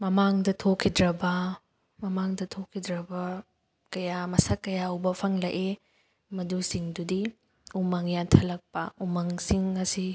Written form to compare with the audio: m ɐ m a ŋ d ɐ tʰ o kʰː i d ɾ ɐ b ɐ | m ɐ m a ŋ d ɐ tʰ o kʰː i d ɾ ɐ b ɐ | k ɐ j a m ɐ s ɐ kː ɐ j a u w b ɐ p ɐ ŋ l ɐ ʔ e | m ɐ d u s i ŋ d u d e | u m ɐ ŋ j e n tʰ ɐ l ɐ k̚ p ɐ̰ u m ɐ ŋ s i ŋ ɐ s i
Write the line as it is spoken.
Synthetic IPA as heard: m ɐ m a ŋ d ɐ tʰ o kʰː i d ɾ ɐ b ɐ | m ɐ m a ŋ d ɐ tʰ o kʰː i d ɾ ɐ b ɐ | k ɐ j a m ɐ s ɐ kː ɐ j a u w b ɐ pʰ ɐ ŋ l ɐ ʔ e | m ɐ d u s i ŋ d u d i | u m ɐ ŋ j a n tʰ ɐ l ɐ k̚ p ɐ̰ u m ɐ ŋ s i ŋ ɐ s i